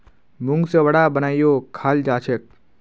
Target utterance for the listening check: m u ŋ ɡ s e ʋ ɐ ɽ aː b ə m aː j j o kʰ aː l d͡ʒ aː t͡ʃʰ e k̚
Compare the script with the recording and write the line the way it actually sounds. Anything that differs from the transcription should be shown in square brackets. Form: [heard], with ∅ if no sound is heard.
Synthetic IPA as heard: m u ŋ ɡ s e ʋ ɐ ɽ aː b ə [n] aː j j o kʰ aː l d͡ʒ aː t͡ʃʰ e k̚